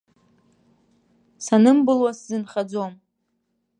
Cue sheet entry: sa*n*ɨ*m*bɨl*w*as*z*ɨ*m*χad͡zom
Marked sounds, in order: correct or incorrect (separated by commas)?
correct, correct, correct, correct, incorrect